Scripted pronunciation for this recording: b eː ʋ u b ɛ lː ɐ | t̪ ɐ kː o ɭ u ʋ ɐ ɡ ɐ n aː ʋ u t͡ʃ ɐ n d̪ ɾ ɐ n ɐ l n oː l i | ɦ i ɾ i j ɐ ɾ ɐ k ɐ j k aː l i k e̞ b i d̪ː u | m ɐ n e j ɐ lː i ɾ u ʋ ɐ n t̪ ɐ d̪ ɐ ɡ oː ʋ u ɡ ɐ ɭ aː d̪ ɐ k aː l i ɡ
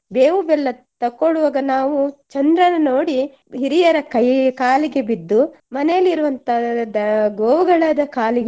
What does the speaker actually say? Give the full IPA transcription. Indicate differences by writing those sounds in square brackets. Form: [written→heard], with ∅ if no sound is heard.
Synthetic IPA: b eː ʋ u b ɛ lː ɐ | t̪ ɐ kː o ɭ u ʋ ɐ ɡ ɐ n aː ʋ u t͡ʃ ɐ n d̪ ɾ ɐ n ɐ [l→∅] n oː [l→ɽ] i | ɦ i ɾ i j ɐ ɾ ɐ k ɐ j k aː l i [k→ɡ] e̞ b i d̪ː u | m ɐ n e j ɐ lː i ɾ u ʋ ɐ n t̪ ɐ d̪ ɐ ɡ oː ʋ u ɡ ɐ ɭ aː d̪ ɐ k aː l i ɡ